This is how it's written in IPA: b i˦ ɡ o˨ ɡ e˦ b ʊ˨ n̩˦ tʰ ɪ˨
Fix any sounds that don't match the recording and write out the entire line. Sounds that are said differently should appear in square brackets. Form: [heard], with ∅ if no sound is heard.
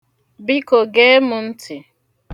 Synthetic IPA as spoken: b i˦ [k] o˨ ɡ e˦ [m] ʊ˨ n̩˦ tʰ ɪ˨